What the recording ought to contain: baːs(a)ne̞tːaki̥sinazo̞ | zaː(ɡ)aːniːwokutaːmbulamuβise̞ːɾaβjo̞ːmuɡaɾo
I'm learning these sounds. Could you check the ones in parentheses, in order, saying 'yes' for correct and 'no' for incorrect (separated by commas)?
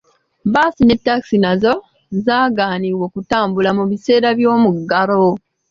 no, yes